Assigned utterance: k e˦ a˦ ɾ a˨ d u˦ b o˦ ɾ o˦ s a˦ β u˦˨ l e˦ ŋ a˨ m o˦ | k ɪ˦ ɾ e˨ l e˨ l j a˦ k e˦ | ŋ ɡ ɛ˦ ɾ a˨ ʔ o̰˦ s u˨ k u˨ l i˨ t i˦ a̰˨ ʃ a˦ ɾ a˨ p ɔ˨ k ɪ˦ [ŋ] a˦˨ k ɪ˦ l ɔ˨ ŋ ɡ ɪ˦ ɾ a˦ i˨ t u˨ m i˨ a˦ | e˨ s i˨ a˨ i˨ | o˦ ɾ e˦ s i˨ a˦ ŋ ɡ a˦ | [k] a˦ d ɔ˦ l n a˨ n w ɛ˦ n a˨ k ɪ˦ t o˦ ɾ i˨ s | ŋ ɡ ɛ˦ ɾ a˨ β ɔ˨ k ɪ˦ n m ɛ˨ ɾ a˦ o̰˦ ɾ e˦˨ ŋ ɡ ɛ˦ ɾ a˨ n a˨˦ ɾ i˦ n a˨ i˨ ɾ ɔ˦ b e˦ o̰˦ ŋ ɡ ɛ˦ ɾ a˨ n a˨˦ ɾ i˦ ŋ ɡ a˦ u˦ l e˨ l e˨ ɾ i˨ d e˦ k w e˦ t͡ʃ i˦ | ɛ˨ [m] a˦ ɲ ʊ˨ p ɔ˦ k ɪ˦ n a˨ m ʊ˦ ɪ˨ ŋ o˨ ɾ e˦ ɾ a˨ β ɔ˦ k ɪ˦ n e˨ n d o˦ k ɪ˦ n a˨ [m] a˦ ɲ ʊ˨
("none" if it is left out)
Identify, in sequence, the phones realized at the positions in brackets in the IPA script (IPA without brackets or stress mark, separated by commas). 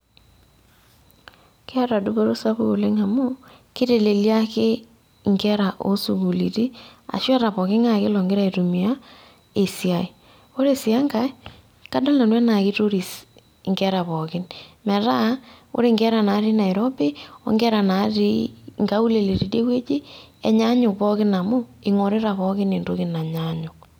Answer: ŋ, k, ɲ, ɲ